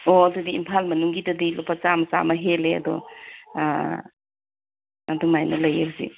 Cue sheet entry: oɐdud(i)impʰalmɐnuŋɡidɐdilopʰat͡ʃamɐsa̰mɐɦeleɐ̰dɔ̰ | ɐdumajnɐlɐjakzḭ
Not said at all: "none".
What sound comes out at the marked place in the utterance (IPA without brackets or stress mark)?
i